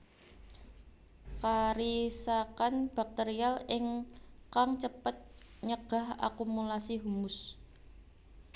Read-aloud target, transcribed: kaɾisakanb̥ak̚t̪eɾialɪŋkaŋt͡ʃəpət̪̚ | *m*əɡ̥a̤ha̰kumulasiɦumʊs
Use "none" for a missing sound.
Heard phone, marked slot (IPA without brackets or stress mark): ɲ